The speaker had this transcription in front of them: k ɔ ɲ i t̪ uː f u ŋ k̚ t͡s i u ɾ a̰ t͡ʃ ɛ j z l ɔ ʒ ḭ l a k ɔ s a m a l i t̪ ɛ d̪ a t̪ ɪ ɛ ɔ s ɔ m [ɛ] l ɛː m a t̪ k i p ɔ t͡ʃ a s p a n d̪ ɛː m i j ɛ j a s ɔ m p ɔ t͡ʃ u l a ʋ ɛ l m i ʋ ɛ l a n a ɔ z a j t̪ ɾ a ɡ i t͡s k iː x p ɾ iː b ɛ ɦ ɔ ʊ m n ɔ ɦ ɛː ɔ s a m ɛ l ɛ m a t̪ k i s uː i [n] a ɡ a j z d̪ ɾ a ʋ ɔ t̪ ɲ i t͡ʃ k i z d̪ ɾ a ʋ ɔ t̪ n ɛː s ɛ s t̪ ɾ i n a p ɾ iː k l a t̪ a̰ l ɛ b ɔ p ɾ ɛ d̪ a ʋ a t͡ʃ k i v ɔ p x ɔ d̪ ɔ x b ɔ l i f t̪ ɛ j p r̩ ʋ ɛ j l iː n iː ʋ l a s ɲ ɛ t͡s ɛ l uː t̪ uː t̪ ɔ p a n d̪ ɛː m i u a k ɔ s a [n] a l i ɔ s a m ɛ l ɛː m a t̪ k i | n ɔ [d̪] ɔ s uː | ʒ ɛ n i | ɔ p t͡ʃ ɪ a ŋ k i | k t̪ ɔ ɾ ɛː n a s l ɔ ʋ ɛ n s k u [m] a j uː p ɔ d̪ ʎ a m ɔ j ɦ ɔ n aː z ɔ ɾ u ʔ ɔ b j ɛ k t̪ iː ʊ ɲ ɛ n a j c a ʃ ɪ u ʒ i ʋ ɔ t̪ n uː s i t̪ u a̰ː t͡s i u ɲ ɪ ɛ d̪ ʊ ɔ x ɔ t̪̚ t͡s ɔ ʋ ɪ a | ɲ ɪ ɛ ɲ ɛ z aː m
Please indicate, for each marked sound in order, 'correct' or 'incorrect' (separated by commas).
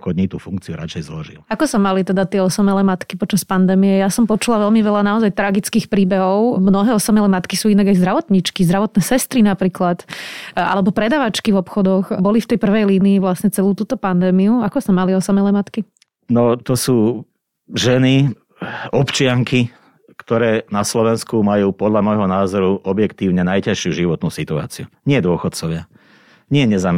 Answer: correct, correct, incorrect, incorrect, correct